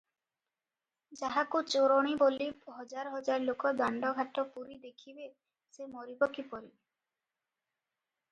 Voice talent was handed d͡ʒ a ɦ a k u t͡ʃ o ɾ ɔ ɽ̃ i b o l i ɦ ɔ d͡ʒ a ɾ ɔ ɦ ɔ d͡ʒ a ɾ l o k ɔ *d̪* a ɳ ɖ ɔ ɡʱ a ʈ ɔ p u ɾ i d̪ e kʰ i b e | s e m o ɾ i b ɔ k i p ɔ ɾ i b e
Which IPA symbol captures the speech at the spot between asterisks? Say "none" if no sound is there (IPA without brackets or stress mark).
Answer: d̪